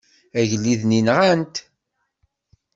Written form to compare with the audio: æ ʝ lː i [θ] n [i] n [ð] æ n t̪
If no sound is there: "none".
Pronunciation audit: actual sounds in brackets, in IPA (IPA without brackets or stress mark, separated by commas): ð, i, ʁ